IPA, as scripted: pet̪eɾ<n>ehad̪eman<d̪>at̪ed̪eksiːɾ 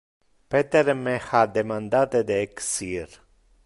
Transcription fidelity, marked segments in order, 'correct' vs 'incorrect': incorrect: m, correct

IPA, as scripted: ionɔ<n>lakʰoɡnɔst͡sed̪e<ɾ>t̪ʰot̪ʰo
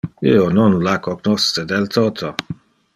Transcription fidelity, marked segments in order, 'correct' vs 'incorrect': correct, incorrect: l

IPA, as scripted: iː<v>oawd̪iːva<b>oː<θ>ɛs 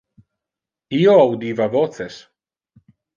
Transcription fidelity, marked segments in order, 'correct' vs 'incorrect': incorrect: none, incorrect: v, correct

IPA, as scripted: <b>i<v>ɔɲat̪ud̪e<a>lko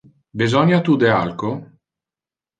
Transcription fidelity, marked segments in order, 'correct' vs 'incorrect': correct, incorrect: z, correct

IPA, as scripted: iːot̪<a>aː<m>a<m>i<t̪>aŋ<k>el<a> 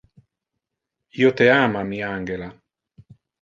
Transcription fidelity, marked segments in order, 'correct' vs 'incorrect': incorrect: e, correct, correct, incorrect: none, incorrect: ɡ, correct

